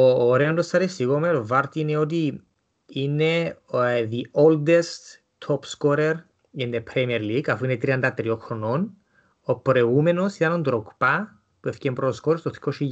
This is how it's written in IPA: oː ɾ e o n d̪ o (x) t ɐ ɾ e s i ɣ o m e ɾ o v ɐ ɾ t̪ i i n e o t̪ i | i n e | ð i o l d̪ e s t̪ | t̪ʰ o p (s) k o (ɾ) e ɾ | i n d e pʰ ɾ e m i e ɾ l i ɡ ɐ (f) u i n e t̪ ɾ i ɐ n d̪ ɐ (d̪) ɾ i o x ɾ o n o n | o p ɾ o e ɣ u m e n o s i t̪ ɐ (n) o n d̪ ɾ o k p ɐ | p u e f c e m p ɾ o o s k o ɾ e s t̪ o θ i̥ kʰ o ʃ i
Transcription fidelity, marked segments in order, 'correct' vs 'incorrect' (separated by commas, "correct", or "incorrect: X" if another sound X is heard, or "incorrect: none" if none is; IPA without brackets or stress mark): incorrect: s, correct, correct, correct, incorrect: t̪, correct